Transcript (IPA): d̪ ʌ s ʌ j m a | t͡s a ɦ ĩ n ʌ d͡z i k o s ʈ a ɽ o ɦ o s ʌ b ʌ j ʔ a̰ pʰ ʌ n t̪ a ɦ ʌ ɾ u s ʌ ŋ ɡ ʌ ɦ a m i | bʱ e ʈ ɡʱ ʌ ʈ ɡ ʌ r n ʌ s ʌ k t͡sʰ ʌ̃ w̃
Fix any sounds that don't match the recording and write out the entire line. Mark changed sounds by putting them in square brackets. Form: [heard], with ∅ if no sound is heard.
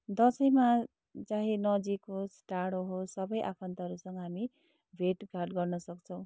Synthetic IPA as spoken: d̪ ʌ s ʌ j m a | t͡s a ɦ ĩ n ʌ d͡z i k o s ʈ a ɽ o ɦ o s ʌ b ʌ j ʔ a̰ pʰ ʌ n t̪ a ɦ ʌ ɾ u s ʌ ŋ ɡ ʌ ɦ a m i | bʱ e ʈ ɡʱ [a] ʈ ɡ ʌ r n ʌ s ʌ k t͡sʰ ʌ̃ w̃